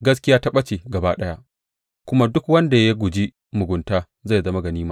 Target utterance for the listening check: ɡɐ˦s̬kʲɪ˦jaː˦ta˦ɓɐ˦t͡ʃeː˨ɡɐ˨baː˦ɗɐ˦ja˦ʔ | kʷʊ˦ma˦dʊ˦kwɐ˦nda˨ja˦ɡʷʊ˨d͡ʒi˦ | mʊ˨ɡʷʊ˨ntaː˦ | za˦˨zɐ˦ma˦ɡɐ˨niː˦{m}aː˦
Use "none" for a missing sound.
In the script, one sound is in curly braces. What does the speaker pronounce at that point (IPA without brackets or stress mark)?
m